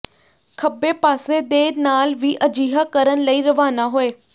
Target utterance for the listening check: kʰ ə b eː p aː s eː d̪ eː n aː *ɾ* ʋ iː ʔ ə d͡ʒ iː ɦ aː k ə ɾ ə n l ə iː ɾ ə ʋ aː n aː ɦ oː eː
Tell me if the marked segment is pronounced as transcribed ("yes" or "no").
no